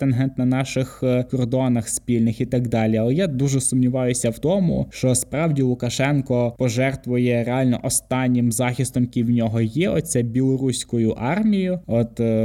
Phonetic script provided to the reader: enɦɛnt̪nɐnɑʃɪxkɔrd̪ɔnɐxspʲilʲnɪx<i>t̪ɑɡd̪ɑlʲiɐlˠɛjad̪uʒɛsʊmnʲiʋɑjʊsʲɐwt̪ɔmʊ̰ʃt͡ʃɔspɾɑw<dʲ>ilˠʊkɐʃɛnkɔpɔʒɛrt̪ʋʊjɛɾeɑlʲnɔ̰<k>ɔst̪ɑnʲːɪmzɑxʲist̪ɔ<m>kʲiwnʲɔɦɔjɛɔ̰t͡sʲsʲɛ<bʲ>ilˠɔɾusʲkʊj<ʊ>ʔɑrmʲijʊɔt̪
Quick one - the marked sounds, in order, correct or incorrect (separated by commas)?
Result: correct, correct, incorrect, correct, correct, correct